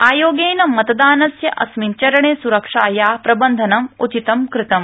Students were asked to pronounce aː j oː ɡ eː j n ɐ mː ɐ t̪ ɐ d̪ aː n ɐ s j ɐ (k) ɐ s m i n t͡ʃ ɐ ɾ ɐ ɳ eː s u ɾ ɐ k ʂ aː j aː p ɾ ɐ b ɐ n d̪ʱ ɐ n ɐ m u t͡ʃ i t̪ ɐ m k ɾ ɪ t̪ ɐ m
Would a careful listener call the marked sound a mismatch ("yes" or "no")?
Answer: yes